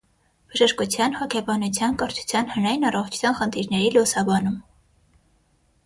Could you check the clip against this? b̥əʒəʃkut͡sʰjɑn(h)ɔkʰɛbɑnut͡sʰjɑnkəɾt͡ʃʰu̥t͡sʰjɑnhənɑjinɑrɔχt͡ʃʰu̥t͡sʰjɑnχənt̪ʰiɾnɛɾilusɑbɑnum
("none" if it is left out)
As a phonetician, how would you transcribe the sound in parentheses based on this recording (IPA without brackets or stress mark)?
h